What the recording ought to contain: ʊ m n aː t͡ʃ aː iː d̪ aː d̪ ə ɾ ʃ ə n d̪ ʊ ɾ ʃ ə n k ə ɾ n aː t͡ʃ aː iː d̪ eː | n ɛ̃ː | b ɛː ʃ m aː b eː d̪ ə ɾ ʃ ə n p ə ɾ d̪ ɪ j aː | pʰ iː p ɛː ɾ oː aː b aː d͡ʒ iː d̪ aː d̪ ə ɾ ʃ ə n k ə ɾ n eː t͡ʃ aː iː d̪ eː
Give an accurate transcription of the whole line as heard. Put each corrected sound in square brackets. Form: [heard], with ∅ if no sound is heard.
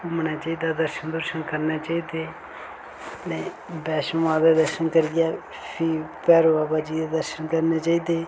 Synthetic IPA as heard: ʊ m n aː t͡ʃ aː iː d̪ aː d̪ ə ɾ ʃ ə n d̪ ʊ ɾ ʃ ə n k ə ɾ n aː t͡ʃ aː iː d̪ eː | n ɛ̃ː | b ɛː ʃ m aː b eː d̪ ə ɾ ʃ ə n [k] ə ɾ d̪ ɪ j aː | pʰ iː p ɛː ɾ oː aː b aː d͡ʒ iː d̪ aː d̪ ə ɾ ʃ ə n k ə ɾ n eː t͡ʃ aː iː d̪ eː